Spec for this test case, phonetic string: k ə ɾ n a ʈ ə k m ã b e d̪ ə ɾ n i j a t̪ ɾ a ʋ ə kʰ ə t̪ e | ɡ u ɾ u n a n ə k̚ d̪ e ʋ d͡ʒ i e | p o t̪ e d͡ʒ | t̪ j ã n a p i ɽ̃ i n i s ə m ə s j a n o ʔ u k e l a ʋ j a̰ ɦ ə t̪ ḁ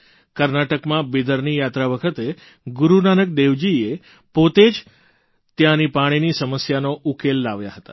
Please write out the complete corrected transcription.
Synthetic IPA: k ə ɾ n a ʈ ə k m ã b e d̪ ə ɾ n i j a t̪ ɾ a ʋ ə kʰ ə t̪ e | ɡ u ɾ u n a n ə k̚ d̪ e ʋ d͡ʒ i e | p o t̪ e d͡ʒ | t̪ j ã n i p a ɽ̃ i n i s ə m ə s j a n o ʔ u k e lː a ʋ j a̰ ɦ ə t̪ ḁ